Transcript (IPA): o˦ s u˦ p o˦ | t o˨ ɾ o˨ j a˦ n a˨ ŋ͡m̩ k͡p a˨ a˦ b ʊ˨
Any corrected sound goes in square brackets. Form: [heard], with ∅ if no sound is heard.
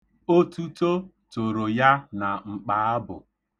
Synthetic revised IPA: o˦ [t] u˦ [t] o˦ | t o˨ ɾ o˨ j a˦ n a˨ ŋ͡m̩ k͡p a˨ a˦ b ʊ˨